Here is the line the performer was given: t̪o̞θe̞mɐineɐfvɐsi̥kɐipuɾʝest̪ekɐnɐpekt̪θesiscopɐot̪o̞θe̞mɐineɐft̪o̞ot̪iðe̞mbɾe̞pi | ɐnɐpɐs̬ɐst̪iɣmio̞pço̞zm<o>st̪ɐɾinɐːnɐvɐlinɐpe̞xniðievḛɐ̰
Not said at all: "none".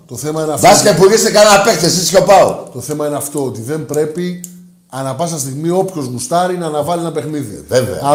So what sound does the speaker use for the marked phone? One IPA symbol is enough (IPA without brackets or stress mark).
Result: u